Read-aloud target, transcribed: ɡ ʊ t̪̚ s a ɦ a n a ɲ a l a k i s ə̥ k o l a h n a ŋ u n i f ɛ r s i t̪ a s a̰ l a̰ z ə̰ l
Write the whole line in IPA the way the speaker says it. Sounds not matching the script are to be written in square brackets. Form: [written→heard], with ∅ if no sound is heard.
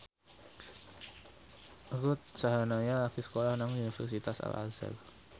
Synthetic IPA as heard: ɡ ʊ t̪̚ s a ɦ a n a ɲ a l a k i s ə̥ k o l a h n a ŋ u n i f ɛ r s i t̪ a s a̰ l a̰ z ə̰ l